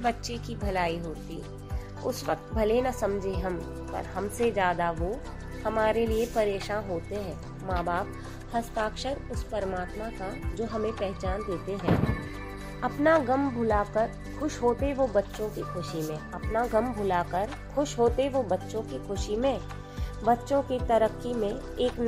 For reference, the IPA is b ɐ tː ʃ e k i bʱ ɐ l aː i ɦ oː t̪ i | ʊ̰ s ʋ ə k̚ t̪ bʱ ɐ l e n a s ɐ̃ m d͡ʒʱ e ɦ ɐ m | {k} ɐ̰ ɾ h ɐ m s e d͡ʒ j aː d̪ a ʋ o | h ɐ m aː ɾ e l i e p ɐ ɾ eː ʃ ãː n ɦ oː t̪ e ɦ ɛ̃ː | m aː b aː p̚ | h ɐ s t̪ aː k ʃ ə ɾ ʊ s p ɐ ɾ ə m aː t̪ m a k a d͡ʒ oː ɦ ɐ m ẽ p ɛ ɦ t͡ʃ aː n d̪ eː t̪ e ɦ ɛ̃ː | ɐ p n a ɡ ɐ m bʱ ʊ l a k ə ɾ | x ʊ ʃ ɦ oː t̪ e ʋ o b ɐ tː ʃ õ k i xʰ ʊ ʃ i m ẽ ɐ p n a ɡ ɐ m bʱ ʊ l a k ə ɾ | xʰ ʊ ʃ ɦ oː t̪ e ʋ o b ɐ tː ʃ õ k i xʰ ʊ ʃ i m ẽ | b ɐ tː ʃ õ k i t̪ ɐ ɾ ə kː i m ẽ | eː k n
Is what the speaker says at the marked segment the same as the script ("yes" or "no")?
no